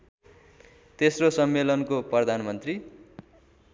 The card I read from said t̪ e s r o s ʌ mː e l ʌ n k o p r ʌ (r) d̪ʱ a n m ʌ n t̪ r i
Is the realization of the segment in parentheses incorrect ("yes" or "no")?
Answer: yes